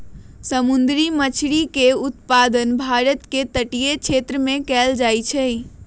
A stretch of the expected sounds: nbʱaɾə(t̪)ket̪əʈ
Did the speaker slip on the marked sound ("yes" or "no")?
no